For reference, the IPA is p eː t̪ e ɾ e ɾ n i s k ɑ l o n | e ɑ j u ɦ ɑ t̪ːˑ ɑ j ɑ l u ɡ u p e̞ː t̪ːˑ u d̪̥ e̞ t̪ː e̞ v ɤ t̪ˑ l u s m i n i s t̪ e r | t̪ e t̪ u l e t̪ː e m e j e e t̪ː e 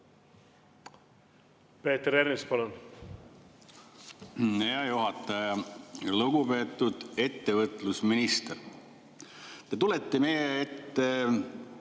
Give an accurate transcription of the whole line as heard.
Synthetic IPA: p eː t̪ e ɾ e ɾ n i s p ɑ l o n | e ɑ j u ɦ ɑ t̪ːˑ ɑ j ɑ l u ɡ u p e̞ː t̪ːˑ u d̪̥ e̞ t̪ː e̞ v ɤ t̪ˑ l u s m i n i s t̪ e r | t̪ e t̪ u l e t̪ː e m e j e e t̪ː e